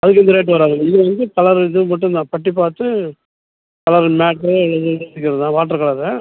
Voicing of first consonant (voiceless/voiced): voiced